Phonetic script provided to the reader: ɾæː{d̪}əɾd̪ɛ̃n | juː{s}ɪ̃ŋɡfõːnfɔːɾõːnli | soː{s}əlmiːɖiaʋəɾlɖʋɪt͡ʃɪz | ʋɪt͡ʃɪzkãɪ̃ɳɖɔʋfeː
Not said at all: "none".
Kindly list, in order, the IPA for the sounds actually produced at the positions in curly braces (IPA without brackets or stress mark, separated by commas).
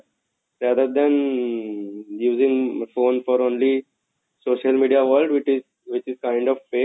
d̪, z, ʃ